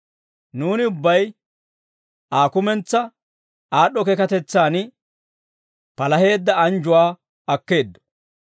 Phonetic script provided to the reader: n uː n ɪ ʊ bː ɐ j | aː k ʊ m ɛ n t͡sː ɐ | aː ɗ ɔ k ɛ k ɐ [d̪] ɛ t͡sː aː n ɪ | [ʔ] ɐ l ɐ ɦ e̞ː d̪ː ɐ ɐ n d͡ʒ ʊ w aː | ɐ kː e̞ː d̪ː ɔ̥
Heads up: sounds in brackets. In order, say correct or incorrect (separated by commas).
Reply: incorrect, incorrect